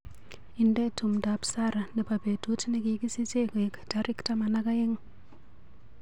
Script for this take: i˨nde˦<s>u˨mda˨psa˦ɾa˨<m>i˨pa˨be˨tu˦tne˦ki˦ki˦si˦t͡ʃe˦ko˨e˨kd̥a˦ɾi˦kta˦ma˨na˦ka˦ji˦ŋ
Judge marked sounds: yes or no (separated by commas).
no, no